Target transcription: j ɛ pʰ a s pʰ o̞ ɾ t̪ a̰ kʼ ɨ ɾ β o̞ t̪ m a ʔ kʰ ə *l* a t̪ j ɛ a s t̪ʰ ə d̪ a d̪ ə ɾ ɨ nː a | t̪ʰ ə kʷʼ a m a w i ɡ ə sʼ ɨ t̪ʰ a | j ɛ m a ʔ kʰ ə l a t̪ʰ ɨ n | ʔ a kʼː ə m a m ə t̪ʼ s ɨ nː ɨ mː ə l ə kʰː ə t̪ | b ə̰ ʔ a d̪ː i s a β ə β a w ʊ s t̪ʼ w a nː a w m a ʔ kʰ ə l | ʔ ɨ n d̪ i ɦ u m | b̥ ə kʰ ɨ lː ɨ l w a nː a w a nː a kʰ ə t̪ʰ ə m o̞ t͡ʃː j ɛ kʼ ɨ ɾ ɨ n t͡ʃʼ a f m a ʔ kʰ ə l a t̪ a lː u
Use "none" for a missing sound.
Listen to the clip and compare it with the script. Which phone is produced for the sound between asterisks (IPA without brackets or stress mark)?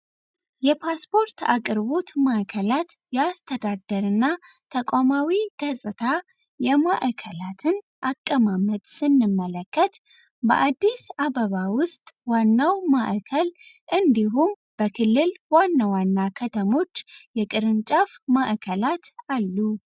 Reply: l